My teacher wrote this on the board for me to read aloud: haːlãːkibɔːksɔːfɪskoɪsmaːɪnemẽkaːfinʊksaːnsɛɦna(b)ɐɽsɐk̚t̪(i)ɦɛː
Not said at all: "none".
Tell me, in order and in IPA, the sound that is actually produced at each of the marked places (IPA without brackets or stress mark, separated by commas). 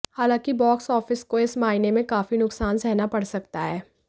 p, a